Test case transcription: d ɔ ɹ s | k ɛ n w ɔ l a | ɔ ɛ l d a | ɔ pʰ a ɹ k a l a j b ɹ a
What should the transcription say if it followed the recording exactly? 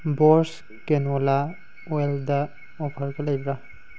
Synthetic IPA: b ɔ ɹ s | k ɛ n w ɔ l a | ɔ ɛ l d a | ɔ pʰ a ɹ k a l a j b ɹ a